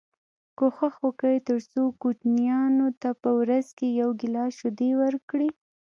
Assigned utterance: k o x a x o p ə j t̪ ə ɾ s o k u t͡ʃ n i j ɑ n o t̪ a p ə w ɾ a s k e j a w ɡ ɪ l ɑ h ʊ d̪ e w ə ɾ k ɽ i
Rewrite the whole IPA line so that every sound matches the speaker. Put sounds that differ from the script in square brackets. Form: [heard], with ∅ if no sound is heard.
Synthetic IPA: k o x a x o [k] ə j t̪ ə ɾ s o k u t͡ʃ n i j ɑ n o t̪ a p ə w ɾ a [z] k e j a w ɡ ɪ l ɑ [ʃ] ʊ d̪ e w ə ɾ k ɽ i